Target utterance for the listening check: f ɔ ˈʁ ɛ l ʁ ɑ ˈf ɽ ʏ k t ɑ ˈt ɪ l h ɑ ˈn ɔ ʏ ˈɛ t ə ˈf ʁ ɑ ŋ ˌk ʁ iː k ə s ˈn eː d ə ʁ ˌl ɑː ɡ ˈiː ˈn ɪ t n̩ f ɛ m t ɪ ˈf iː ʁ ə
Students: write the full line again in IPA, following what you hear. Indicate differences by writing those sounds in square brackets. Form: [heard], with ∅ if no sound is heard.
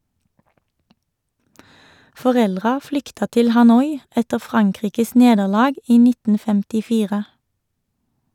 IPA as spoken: f ɔ ˈʁ ɛ l ʁ ɑ ˈf [l] ʏ k t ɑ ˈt ɪ l h ɑ ˈn ɔ ʏ ˈɛ t ə ˈf ʁ ɑ ŋ ˌk ʁ iː k ə s ˈn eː d ə ʁ ˌl ɑː ɡ ˈiː ˈn ɪ t n̩ f ɛ m t ɪ ˈf iː ʁ ə